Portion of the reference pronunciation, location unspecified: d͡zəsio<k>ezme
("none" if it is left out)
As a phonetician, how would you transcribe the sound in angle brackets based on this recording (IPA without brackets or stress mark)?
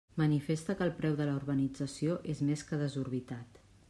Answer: ʔ